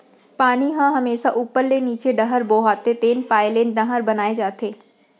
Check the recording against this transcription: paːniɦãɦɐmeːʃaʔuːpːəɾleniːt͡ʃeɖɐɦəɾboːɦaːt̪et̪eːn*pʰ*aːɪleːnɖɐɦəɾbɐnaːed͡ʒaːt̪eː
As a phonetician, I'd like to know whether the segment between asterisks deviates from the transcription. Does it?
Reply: yes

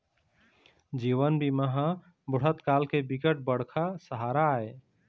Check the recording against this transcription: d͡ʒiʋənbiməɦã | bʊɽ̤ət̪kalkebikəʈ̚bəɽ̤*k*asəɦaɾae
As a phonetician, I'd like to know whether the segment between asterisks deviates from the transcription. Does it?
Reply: yes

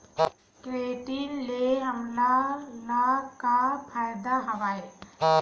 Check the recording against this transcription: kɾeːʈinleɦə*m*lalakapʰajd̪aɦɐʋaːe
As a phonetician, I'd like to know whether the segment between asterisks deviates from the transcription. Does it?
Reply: no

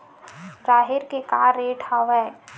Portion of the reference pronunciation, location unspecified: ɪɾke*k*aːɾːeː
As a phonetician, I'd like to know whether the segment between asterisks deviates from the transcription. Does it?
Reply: no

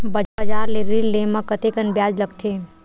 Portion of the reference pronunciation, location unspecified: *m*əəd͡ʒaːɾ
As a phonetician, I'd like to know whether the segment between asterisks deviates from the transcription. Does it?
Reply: yes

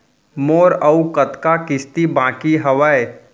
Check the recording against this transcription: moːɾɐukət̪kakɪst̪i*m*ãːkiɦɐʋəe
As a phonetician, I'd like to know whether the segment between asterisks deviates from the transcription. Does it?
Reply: yes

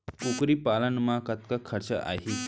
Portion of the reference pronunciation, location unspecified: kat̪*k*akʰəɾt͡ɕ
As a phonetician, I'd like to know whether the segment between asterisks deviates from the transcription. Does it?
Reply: no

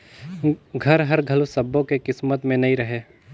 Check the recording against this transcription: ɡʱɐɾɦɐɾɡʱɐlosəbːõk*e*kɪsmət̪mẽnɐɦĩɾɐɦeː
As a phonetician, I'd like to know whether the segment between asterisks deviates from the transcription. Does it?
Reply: no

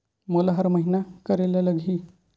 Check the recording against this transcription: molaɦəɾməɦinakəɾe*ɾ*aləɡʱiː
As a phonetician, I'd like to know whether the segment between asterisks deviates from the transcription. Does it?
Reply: yes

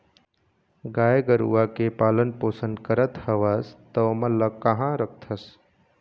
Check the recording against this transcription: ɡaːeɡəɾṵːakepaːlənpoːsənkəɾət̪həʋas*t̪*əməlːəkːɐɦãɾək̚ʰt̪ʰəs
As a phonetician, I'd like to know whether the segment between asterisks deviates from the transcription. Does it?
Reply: no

